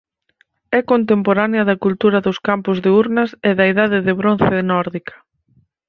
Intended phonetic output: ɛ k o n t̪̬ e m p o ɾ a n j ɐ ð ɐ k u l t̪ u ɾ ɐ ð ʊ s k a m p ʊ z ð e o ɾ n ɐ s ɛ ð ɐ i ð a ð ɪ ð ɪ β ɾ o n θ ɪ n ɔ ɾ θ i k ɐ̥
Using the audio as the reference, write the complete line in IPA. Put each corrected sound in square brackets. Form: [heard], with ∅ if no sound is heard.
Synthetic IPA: ɛ k o n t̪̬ e m p o ɾ a n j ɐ ð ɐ k u l t̪ u ɾ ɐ ð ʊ s k a m p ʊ z ð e [u] ɾ n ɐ s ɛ ð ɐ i ð a ð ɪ ð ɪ β ɾ o n θ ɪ n ɔ ɾ [ð] i k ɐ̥

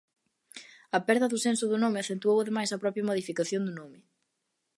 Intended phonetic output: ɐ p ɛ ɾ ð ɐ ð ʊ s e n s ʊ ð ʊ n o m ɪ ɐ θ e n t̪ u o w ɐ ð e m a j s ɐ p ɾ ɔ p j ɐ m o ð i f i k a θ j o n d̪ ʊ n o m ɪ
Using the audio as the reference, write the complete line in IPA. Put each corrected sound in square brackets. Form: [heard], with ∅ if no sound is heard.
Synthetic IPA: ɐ p ɛ ɾ ð ɐ ð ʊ s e n s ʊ ð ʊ n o m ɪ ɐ θ e n t̪ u o w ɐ ð e m a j s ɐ p ɾ ɔ p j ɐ m o ð i f i k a θ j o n d̪ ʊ n o m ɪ

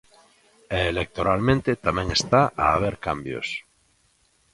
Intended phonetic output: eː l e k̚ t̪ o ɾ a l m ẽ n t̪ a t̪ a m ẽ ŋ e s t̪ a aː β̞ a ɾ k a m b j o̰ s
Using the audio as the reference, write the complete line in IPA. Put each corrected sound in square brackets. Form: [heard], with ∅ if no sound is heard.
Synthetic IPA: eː l e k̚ t̪ o ɾ a l m ẽ n t̪ [e] t̪ a m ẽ ŋ e s t̪ a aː β̞ [e] ɾ k a m b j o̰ s

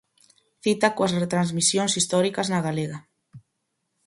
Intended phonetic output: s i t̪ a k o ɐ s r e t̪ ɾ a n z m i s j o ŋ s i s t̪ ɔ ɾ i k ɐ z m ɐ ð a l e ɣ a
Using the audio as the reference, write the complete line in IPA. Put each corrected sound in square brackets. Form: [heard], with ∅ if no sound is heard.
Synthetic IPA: [θ] i t̪ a k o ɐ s r e t̪ ɾ a n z m i s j o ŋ s i s t̪ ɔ ɾ i k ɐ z [n] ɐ [ɣ] a l e ɣ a

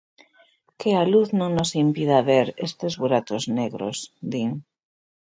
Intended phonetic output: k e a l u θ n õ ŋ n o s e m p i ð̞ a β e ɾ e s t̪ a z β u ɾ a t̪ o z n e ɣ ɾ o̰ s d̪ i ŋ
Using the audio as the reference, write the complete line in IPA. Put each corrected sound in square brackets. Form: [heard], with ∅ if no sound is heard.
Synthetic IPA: k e a l u θ n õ ŋ n o s [i] m p i ð̞ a β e ɾ e s t̪ [e] z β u ɾ a t̪ o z n e ɣ ɾ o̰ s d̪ i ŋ

